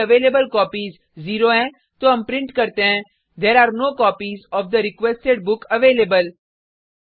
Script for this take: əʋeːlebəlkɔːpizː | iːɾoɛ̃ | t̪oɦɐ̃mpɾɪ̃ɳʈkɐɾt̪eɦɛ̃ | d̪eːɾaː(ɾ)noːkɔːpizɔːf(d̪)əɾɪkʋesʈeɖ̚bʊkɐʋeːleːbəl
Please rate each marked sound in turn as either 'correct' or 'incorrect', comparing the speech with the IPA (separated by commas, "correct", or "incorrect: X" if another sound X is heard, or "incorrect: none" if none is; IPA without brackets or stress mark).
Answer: correct, correct